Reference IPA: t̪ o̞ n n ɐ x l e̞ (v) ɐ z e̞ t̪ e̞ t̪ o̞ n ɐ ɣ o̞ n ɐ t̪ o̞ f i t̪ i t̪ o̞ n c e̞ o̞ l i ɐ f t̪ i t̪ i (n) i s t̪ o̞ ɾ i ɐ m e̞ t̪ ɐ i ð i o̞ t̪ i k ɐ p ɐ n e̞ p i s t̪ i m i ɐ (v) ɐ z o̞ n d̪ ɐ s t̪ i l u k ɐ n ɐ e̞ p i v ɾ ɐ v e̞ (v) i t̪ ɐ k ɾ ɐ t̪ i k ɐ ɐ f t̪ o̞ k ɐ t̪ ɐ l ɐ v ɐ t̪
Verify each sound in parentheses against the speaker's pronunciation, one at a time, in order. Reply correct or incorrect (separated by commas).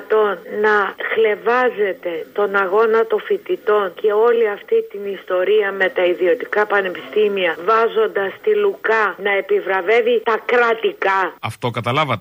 correct, correct, correct, correct